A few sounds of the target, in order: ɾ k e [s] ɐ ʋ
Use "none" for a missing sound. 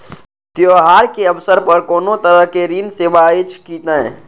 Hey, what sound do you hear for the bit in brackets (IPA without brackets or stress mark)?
none